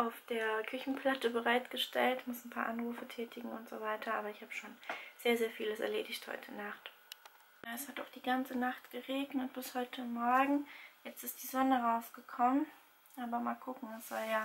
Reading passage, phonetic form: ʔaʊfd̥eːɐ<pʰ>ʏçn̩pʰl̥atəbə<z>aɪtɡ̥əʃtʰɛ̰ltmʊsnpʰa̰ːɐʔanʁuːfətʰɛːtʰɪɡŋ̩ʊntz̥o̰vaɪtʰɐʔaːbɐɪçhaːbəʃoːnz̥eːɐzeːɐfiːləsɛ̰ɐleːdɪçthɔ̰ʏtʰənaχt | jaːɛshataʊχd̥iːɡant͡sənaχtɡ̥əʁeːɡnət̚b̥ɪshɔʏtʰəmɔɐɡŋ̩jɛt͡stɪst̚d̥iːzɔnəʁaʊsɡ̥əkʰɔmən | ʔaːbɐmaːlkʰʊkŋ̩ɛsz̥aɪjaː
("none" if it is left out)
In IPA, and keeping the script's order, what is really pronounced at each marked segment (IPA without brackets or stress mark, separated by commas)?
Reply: kʰ, ʁ